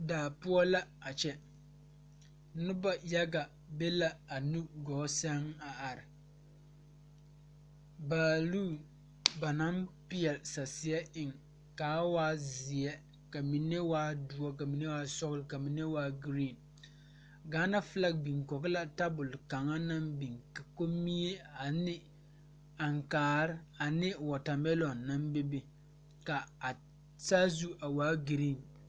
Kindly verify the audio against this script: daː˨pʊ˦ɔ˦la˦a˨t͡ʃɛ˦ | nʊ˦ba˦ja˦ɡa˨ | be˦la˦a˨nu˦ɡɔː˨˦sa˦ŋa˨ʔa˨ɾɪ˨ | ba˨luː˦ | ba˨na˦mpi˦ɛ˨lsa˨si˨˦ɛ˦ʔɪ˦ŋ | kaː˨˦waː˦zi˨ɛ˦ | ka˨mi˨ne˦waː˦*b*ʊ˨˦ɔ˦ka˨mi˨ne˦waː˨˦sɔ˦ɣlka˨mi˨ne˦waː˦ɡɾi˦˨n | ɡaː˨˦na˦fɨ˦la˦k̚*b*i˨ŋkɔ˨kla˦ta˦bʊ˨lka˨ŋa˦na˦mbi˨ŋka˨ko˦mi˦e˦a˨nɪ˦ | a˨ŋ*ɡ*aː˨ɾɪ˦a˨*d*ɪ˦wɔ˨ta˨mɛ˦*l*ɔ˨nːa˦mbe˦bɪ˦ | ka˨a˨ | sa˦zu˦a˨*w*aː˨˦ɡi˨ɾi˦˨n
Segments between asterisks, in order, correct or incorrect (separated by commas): incorrect, correct, incorrect, incorrect, correct, correct